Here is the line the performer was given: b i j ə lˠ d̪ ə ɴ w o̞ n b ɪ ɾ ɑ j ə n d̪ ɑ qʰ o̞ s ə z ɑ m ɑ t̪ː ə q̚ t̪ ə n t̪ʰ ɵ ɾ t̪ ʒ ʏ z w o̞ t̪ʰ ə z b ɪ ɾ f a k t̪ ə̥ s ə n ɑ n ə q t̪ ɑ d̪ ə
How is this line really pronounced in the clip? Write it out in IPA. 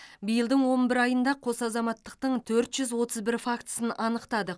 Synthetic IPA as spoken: b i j ə lˠ d̪ ə ɴ w o̞ n b ɪ ɾ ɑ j ə n d̪ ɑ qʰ o̞ s ɑ z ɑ m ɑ t̪ː ə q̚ t̪ ə ɴ t̪ʰ ɵ ɾ t̪ ʒ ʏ z w o̞ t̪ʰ ə z b ɪ ɾ f a k t̪ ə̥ s ə n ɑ n ə q t̪ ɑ d̪ ə